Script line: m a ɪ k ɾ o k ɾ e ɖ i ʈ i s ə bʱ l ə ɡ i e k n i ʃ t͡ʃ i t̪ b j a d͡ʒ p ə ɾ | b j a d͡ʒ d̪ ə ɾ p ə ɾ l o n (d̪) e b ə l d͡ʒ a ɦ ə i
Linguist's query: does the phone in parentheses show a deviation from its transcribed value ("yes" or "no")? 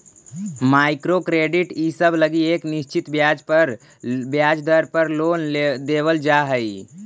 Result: no